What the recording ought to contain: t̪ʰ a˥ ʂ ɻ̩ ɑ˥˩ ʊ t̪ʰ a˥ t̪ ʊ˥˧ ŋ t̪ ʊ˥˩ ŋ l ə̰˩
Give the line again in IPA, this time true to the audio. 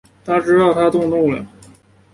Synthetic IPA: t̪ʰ a˥ ʈ͡ʂ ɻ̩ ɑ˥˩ ʊ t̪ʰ a˥ t̪ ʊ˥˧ ŋ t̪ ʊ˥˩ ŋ l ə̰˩